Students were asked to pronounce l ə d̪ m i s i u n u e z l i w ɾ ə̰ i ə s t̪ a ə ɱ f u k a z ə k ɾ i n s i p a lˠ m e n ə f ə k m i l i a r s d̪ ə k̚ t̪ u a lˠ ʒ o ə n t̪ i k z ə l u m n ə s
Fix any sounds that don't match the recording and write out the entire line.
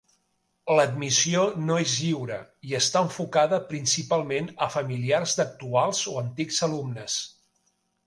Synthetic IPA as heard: l ə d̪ m i s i o n o e z ʎ i w ɾ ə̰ i ə s t̪ a ə ɱ f u k a ð ə p ɾ i n s i p a lˠ m e n ə f ə m i l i a r z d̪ ə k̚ t̪ u a lˠ z o ə n t̪ i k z ə l u m n ə s